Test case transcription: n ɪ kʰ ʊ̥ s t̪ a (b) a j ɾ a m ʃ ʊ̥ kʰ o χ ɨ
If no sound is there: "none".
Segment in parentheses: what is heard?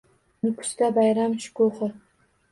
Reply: b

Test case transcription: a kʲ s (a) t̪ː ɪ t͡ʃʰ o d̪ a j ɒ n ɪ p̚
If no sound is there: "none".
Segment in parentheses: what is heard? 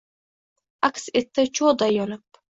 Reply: e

